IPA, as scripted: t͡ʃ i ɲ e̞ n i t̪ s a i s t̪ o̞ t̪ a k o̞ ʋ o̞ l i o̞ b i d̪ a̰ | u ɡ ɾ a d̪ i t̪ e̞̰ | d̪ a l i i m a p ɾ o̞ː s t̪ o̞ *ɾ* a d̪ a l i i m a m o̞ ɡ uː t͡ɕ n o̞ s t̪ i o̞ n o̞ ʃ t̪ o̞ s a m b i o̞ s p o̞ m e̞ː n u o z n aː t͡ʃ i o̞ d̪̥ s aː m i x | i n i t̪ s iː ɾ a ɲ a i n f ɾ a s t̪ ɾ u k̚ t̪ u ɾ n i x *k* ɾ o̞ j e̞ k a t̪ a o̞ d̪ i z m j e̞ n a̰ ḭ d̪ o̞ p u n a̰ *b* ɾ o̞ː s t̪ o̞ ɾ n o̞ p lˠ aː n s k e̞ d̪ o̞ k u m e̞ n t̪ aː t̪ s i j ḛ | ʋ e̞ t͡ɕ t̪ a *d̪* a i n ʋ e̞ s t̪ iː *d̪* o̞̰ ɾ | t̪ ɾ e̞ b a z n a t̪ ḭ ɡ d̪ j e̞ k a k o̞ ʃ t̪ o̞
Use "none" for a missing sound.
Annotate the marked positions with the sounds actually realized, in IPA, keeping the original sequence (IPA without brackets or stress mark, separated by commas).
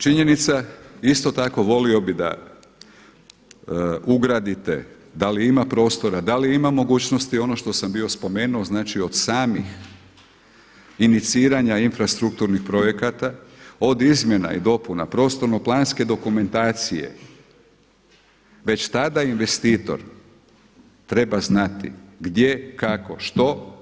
ɾ, p, p, d̪, t̪